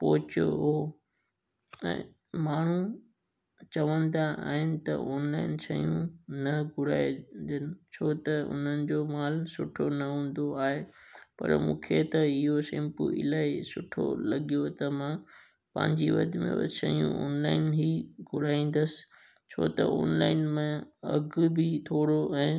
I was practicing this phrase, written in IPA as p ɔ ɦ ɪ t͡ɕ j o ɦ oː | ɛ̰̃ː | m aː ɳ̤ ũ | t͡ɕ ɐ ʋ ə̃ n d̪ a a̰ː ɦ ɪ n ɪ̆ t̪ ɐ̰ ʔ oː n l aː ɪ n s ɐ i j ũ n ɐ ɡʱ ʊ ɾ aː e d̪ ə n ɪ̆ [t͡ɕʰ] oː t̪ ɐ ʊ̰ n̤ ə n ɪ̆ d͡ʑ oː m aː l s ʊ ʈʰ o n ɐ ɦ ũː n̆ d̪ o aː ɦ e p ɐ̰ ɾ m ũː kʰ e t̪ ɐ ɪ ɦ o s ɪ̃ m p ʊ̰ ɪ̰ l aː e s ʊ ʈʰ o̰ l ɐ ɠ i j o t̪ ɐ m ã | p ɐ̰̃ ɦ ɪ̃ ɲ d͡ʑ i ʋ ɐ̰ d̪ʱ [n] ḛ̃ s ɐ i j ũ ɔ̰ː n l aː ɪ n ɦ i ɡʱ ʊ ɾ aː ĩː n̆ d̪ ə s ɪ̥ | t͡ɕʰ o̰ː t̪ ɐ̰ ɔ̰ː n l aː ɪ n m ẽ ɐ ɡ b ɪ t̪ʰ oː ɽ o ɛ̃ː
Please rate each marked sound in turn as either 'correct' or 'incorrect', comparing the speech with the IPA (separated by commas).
correct, incorrect